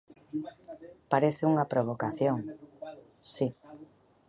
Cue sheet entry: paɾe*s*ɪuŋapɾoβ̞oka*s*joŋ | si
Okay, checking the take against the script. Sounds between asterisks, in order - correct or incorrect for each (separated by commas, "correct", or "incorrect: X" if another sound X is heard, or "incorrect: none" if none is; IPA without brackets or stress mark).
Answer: incorrect: θ, incorrect: θ